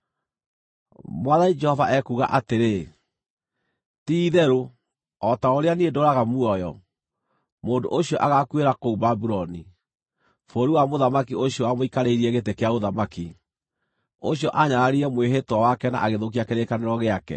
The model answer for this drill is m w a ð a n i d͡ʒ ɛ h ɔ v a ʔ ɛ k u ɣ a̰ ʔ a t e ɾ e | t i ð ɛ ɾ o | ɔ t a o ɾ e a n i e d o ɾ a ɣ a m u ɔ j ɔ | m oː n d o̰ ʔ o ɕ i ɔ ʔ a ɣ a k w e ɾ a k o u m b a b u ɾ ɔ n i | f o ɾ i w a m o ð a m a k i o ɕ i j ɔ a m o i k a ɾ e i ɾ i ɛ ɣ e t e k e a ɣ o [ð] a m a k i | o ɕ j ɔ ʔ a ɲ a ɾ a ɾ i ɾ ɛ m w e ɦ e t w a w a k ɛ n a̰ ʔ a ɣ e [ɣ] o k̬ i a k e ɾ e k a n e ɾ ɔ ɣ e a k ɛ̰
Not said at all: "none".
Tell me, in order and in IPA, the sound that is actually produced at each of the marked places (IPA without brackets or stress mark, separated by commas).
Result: ð, ð